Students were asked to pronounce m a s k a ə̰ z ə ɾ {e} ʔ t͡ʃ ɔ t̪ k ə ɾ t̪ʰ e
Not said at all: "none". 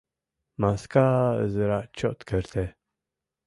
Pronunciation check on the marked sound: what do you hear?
a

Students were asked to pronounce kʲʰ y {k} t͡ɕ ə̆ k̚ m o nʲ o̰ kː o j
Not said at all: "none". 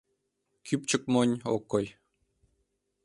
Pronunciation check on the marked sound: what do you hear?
p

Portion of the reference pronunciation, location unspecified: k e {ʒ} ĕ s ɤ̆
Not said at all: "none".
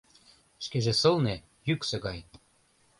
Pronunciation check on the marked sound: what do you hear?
ʒ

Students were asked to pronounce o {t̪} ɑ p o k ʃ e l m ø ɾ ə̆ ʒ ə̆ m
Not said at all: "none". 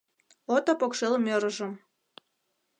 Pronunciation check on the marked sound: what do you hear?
t̪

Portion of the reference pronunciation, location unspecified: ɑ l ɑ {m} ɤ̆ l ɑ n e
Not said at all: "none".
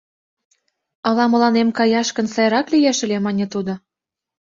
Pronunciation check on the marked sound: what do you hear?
m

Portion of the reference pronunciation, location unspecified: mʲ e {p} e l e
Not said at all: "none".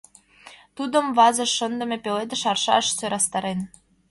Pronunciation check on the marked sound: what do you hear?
p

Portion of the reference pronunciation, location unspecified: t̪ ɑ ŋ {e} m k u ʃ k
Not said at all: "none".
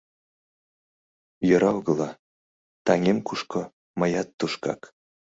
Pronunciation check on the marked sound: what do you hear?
e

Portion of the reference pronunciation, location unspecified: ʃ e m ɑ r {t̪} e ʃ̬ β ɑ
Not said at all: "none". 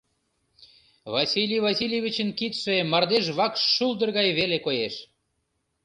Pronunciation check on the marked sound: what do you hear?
d̪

